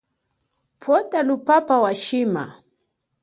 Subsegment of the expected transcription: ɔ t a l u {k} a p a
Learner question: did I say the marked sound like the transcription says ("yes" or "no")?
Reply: no